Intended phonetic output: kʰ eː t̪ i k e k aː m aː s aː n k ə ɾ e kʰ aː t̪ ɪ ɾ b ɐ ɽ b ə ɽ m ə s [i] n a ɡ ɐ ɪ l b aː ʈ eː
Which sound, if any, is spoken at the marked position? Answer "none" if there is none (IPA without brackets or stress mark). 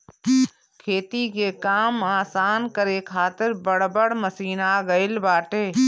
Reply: iː